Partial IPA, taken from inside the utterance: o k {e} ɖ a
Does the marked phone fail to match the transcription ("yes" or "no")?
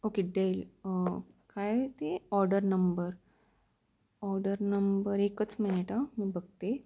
no